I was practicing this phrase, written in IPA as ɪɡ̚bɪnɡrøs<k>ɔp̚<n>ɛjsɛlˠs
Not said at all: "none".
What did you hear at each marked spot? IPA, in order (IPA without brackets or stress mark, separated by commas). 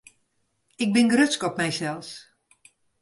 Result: k, m